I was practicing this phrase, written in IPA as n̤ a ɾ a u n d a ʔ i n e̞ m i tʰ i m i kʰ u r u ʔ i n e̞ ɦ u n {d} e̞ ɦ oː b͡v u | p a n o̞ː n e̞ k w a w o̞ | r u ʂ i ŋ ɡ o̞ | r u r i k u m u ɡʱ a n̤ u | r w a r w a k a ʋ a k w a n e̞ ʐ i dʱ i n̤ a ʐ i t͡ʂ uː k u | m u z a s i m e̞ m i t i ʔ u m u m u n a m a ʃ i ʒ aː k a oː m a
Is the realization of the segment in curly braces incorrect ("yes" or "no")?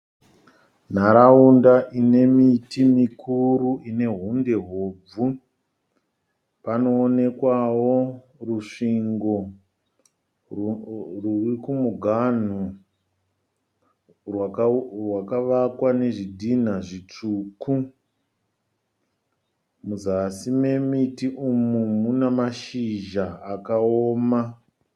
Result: no